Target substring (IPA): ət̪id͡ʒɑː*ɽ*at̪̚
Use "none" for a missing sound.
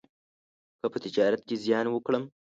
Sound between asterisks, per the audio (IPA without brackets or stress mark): ɾ